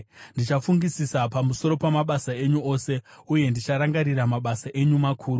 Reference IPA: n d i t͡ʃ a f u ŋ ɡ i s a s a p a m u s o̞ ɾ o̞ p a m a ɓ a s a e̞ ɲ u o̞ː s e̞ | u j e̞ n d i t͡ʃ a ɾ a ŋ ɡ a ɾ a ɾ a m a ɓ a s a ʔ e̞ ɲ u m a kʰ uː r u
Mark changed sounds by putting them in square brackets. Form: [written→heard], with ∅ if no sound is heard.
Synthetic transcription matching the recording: n d i t͡ʃ a f u ŋ ɡ i s [a→i] s a p a m u s o̞ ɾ o̞ p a m a ɓ a s a e̞ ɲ u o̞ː s e̞ | u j e̞ n d i t͡ʃ a ɾ a ŋ ɡ a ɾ [a→i] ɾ a m a ɓ a s a ʔ e̞ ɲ u m a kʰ uː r u